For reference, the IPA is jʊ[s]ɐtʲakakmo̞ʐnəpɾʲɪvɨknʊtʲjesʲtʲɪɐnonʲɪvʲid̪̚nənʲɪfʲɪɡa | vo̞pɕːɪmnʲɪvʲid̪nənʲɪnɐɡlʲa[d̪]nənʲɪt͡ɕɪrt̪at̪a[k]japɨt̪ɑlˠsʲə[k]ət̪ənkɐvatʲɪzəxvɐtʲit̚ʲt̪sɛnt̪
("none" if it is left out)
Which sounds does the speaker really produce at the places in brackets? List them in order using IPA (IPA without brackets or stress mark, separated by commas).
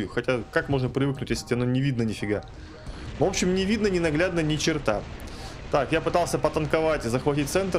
x, d̪, k, p